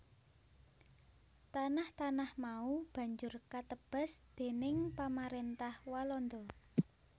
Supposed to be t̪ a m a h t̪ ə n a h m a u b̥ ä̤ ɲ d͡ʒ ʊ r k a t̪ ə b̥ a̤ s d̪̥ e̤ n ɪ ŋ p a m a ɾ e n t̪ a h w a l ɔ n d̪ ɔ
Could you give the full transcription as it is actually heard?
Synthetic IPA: t̪ a n a h t̪ a n a h m a u b̥ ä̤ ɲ d͡ʒ ʊ r k a t̪ ə b̥ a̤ s d̪̥ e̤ n ɪ ŋ p a m a ɾ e n t̪ a h w a l ɔ n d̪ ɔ

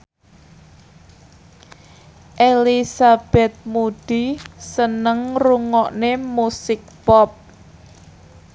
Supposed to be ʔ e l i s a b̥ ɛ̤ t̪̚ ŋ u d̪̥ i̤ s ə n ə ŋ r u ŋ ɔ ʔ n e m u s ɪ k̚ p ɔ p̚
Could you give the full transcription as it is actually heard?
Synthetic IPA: ʔ e l i s a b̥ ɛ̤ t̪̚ m u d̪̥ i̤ s ə n ə ŋ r u ŋ ɔ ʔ n e m u s ɪ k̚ p ɔ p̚

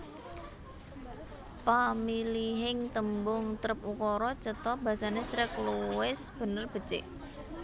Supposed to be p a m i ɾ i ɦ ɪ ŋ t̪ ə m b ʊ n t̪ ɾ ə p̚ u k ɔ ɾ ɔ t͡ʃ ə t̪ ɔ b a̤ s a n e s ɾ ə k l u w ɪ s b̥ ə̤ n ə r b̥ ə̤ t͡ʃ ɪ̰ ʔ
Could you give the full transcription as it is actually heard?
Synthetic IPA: p a m i l i ɦ ɪ ŋ t̪ ə m b ʊ ŋ t̪ ɾ ə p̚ u k ɔ ɾ ɔ t͡ʃ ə t̪ ɔ b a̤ s a n e s ɾ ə k l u w ɪ s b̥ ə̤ n ə r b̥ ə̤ t͡ʃ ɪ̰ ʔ

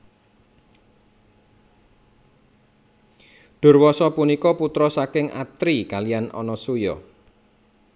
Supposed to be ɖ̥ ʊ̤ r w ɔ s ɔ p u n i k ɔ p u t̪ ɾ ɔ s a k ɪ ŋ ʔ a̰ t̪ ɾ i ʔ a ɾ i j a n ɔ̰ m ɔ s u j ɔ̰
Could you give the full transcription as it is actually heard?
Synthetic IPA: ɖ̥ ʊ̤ r w ɔ s ɔ p u n i k ɔ p u t̪ ɾ ɔ s a k ɪ ŋ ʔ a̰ t̪ ɾ i k a l i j a n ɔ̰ n ɔ s u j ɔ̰

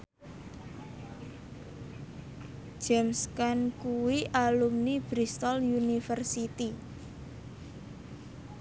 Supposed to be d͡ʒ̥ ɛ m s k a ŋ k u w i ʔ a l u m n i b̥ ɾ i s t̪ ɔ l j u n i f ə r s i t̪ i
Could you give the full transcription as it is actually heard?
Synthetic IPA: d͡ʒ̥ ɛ m s k a n k u w i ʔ a l u m n i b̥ ɾ i s t̪ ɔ l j u n i f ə r s i t̪ i

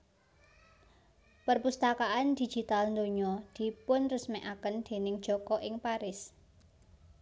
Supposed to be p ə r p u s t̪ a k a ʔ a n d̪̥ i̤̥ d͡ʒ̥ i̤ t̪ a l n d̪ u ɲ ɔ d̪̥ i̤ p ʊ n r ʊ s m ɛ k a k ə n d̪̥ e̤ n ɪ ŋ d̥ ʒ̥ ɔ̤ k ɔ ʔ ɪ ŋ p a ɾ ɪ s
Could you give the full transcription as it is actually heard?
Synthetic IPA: p ə r p u s t̪ a k a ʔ a n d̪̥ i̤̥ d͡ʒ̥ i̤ t̪ a l n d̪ o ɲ ɔ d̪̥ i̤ p ʊ n r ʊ s m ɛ ʔ a k ə n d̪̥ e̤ n ɪ ŋ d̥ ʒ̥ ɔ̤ k ɔ ʔ ɪ ŋ p a ɾ ɪ s

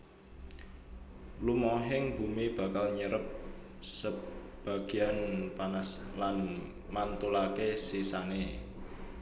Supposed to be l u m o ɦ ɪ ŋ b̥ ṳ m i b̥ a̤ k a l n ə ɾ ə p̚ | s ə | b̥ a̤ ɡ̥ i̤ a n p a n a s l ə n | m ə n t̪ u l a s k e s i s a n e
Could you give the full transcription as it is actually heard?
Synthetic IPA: l u m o ɦ ɪ ŋ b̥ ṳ m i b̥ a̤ k a l ɲ ə ɾ ə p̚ | s ə | b̥ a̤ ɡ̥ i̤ a n p a n a s l a n | m a n t̪ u l a k e s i s a n e

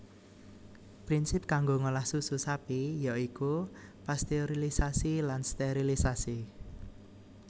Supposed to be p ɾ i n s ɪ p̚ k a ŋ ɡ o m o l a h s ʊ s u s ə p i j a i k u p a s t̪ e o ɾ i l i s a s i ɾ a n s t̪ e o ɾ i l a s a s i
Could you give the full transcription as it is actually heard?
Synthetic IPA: p ɾ i n s ɪ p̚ k a ŋ ɡ o ŋ o l a h s u s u s a p i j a i k u p a s t̪ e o ɾ i l i s a s i l a n s t̪ e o ɾ i l i s a s i

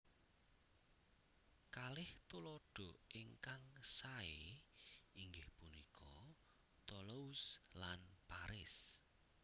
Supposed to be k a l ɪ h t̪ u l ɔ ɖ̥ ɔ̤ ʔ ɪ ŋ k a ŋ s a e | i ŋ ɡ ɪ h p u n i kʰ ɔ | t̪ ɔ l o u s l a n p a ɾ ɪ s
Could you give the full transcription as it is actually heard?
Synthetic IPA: k a l ɪ h t̪ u l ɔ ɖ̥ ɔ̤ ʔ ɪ ŋ k a ŋ s a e | i ŋ ɡ ɪ h p u n i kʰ ɔ | t̪ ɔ l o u s l a n p a ɾ ɪ s

